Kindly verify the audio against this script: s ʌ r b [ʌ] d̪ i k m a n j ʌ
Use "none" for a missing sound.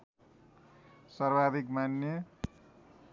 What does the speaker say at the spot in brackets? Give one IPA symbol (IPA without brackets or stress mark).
a